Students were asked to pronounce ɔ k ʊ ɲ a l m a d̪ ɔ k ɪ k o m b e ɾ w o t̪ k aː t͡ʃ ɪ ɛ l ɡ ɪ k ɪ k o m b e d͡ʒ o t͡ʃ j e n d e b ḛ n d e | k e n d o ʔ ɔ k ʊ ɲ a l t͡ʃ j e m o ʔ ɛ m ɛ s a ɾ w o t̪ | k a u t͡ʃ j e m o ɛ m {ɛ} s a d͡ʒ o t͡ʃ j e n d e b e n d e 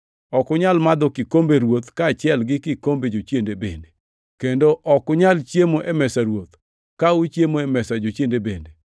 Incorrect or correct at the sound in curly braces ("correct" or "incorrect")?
correct